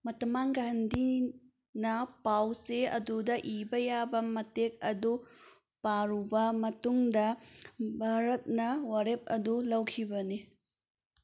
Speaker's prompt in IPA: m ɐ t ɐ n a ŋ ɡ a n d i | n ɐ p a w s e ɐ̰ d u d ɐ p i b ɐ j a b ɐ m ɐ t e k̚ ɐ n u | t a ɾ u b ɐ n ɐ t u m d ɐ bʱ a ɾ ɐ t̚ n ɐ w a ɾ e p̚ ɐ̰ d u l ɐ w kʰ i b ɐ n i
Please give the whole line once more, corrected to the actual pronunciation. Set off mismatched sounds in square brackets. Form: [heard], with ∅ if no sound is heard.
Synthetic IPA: m ɐ t ɐ [m] a ŋ ɡ a n d i | n ɐ p a w s e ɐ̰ d u d ɐ [ʔ] i b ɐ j a b ɐ m ɐ t e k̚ ɐ [d] u | [p] a ɾ u b ɐ [m] ɐ t u [ŋ] d ɐ bʱ a ɾ ɐ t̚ n ɐ w a ɾ e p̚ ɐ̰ d u l ɐ w kʰ i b ɐ n i

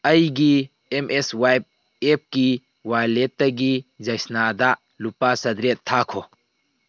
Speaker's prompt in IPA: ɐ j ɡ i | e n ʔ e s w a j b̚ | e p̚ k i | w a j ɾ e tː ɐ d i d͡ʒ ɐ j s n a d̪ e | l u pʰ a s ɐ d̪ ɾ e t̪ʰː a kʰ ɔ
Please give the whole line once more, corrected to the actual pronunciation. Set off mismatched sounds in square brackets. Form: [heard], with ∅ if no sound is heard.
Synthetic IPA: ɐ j ɡ i | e [m] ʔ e s w a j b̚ | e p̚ k i | w a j [l] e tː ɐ [ɡ] i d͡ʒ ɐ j s n a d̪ [a] | l u [p] a s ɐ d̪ ɾ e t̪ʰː a kʰ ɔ

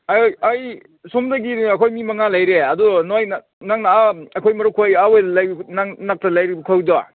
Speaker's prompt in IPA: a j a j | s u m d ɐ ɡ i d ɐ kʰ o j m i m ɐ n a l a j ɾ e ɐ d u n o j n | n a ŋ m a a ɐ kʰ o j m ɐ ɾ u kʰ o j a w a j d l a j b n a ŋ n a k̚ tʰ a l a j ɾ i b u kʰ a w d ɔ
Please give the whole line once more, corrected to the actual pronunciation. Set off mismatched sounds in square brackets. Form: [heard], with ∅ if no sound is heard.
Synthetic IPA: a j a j | s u m d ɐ ɡ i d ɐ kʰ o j m i m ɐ [ŋ] a l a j ɾ e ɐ d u n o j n | n a ŋ [n] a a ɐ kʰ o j m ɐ ɾ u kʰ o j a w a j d l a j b n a ŋ n a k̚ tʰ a l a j ɾ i b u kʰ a w d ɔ

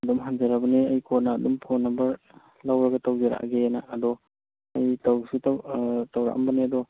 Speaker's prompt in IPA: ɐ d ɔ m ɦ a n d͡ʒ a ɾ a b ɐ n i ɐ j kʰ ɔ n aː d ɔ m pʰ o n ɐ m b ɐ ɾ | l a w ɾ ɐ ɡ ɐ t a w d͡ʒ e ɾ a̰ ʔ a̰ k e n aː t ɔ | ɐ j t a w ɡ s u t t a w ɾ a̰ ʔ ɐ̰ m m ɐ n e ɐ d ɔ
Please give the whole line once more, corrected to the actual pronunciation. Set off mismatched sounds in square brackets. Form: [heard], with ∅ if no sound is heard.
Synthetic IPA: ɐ d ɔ m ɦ a n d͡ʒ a ɾ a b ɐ n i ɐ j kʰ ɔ n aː d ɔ m pʰ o n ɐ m b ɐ ɾ | l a w ɾ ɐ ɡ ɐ t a w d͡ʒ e ɾ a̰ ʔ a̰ [ɡ] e n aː [d] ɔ | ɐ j t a w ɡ s u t t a w ɾ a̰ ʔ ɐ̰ m [b] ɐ n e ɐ d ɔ

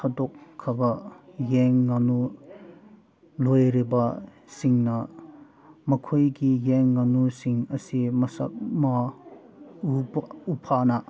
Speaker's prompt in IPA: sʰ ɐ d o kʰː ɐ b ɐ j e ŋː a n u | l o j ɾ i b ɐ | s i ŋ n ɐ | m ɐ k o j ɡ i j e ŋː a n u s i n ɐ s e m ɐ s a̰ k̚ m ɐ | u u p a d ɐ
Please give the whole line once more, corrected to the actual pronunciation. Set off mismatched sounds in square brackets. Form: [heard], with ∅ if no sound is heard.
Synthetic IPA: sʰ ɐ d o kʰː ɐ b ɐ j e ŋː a n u | l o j ɾ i b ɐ | s i ŋ n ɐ | m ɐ [kʰ] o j ɡ i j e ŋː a n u s i [ŋ] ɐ s [i] m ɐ s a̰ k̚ m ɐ | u u [pʰ] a [n] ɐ

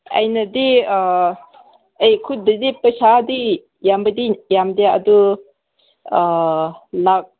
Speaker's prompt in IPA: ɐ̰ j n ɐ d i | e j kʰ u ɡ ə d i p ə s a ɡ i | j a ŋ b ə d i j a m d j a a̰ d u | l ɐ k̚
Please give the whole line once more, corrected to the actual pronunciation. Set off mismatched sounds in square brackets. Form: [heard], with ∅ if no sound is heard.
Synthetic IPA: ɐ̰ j n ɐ d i | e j kʰ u [d] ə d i p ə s a [d] i | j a [m] b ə d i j a m d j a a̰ d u | l [a] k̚

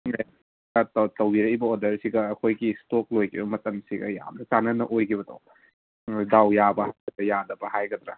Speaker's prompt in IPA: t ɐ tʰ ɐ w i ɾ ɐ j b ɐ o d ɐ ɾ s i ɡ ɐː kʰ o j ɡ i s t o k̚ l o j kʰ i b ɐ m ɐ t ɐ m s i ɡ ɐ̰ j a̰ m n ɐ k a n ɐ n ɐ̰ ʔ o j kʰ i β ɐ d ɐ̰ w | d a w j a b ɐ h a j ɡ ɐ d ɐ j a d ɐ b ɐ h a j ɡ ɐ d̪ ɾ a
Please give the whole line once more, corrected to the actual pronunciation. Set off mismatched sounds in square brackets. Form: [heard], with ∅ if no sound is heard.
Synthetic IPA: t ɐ [t] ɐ w i ɾ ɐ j b ɐ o d ɐ ɾ s i ɡ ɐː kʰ o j ɡ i s t o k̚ l o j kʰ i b ɐ m ɐ t ɐ m s i ɡ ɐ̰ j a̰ m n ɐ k a n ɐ n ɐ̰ ʔ o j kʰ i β ɐ d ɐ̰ w | d a w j a b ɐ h a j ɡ ɐ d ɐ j a d ɐ b ɐ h a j ɡ ɐ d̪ ɾ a

